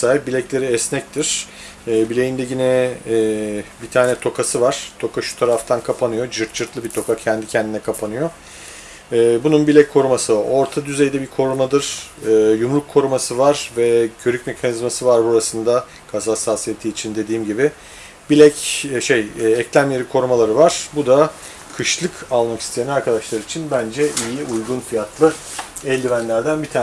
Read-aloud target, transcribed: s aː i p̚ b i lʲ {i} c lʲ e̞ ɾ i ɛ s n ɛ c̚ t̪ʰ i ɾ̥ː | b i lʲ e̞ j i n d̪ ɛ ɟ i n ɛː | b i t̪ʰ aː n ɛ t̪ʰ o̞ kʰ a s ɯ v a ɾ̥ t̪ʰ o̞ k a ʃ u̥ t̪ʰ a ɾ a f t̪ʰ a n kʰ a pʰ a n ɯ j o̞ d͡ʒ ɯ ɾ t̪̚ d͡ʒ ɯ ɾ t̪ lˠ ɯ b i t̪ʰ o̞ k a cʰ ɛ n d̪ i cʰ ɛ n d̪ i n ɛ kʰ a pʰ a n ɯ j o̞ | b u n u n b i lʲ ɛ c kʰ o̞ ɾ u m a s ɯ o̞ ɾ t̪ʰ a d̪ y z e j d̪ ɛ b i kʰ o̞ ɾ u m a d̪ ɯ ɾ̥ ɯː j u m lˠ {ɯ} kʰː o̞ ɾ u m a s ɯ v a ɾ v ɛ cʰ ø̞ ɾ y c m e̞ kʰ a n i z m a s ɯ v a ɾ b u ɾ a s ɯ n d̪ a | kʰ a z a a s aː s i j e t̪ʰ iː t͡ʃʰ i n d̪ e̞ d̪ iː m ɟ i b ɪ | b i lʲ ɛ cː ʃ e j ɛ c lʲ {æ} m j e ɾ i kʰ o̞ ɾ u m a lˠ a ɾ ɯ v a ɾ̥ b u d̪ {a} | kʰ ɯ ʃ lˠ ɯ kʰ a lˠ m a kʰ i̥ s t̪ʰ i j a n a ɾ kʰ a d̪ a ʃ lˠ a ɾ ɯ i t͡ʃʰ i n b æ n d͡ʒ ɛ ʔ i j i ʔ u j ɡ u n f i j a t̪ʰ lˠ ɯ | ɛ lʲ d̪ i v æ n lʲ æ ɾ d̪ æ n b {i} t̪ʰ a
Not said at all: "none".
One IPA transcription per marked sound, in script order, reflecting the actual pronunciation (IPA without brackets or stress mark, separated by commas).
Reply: ɛ, u, æ, a, i